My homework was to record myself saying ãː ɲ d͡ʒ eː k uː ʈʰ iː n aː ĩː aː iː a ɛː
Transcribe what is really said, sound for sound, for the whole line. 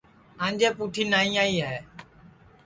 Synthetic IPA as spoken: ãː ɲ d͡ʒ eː p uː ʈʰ iː n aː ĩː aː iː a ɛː